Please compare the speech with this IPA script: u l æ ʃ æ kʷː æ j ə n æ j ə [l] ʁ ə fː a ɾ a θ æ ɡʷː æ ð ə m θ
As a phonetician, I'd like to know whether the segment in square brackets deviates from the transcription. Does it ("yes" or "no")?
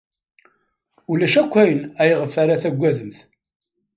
yes